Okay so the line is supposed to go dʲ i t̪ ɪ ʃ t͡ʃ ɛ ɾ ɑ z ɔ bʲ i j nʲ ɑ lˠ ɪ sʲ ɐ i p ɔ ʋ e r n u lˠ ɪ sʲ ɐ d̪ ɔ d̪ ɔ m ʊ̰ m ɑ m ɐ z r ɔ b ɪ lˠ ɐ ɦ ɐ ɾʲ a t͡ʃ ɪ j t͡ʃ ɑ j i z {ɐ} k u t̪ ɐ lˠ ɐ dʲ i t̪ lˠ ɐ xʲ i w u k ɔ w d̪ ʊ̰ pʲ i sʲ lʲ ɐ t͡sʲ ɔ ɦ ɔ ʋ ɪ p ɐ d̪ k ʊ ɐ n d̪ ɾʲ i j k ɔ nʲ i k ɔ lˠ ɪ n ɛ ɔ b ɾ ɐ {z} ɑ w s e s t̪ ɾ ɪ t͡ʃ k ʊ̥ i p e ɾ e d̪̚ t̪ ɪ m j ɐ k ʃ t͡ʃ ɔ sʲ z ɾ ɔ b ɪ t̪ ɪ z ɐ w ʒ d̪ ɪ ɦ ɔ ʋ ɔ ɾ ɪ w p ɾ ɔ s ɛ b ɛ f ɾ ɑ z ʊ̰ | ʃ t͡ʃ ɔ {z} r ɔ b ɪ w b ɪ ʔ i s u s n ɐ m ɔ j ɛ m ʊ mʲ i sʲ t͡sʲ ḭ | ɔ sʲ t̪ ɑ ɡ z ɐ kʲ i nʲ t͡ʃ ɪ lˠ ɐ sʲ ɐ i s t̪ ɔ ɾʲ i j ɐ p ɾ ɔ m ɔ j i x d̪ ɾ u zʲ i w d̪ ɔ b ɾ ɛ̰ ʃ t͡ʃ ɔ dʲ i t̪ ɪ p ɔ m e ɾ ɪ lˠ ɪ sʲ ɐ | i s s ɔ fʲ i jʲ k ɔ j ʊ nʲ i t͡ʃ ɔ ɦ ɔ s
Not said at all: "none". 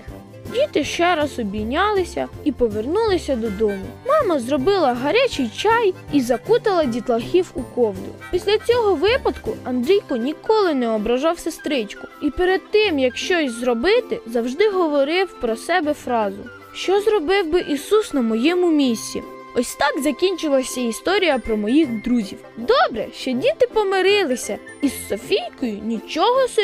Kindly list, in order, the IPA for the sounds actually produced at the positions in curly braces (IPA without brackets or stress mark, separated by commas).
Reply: ɐ, ʒ, z